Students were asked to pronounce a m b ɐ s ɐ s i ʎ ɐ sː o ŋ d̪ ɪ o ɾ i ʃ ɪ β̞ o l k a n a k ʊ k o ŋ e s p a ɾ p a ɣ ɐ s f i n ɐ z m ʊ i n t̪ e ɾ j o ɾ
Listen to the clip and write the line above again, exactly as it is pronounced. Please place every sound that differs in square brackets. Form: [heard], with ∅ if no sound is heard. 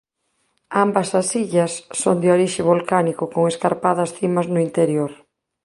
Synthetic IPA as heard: a m b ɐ s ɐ s i ʎ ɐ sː o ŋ d̪ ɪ o ɾ i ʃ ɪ β̞ o l k a n [i] k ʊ k o ŋ e s [k] a ɾ p a [ð] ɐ s [θ] i [m] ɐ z [n] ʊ i n t̪ e ɾ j o ɾ

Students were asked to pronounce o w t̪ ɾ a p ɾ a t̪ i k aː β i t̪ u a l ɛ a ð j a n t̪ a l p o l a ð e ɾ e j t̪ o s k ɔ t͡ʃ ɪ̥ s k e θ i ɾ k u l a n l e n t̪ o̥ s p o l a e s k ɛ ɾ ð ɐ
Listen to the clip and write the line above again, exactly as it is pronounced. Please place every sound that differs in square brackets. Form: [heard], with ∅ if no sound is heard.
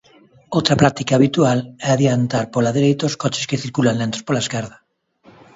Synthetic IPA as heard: o w t̪ ɾ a p ɾ a t̪ i k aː β i t̪ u a l ɛ a ð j a n t̪ a [ɾ] p o l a ð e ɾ e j t̪ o s k ɔ t͡ʃ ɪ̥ s k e θ i ɾ k u l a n l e n t̪ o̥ s p o l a e s k ɛ ɾ ð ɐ

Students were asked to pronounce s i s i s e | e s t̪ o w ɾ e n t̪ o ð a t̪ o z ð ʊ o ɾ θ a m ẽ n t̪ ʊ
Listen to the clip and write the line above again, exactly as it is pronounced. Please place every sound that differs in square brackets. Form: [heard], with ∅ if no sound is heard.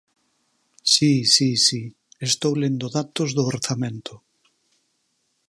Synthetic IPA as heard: s i s i s [i] | e s t̪ o w [l] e n [d̪] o ð a t̪ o z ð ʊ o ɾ θ a m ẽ n t̪ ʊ

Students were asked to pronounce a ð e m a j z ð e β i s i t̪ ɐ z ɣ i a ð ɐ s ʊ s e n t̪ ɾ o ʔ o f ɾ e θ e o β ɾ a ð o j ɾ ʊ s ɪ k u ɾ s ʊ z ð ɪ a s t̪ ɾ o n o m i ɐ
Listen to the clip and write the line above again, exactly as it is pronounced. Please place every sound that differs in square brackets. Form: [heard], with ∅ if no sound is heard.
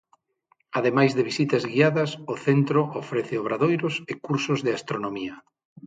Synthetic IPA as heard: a ð e m a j z ð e β i s i t̪ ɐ z ɣ i a ð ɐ s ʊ [θ] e n t̪ ɾ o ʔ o f ɾ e θ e o β ɾ a ð o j ɾ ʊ s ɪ k u ɾ s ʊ z ð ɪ a s t̪ ɾ o n o m i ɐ

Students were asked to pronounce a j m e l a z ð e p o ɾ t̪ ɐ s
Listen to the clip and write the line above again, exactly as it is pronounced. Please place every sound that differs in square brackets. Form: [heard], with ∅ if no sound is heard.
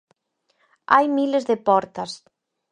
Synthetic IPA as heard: a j m [i] l [e] z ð e p [ɔ] ɾ t̪ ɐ s

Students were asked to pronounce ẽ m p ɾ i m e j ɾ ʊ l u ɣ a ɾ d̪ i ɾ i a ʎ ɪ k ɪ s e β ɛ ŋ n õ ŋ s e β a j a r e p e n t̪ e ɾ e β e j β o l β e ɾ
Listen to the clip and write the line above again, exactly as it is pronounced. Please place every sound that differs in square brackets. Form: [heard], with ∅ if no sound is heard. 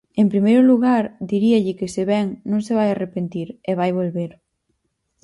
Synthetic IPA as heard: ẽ m p ɾ i m e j ɾ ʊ l u ɣ a ɾ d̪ i ɾ i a ʎ ɪ k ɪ s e β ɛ ŋ n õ ŋ s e β a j a r e p e n t̪ [i] ɾ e β [a] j β o l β e ɾ

